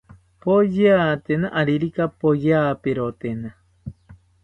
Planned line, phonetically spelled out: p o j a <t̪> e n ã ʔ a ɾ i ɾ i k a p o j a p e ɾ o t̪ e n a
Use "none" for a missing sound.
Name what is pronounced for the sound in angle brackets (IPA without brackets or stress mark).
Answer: t̪